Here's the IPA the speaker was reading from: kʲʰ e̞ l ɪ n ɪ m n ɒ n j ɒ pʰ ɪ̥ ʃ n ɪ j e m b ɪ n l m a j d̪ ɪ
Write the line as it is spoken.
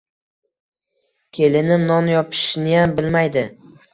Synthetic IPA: kʲʰ e̞ l ɪ n ɪ m n ɒ n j ɒ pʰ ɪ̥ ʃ n ɪ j a m b ɪ l m a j d̪ ɪ